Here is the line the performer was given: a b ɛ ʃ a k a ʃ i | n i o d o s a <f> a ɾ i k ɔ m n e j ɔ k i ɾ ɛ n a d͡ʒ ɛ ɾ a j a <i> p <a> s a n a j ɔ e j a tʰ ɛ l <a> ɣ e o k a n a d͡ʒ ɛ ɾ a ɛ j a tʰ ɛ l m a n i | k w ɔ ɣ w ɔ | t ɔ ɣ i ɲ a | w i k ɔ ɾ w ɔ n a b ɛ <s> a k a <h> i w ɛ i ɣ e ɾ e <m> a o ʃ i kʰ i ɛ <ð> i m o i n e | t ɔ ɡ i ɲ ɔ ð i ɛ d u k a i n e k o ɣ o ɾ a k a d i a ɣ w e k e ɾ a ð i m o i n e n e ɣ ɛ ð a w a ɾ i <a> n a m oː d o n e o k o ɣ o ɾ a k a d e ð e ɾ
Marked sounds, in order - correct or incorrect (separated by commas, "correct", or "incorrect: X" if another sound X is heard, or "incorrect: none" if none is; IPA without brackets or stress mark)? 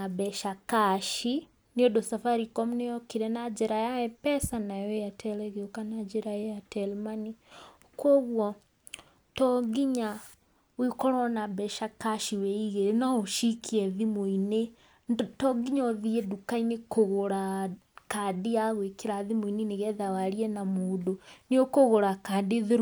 correct, incorrect: ɛ, incorrect: ɛ, incorrect: ɛ, incorrect: ʃ, incorrect: ʃ, incorrect: n, correct, incorrect: ɛ